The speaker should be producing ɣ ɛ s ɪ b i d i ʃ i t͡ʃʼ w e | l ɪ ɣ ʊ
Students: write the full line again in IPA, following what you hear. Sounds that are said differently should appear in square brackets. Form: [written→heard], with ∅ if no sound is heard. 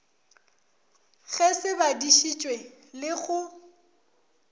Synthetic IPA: ɣ ɛ s ɪ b [i→a] d i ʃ i t͡ʃʼ w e | l ɪ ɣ ʊ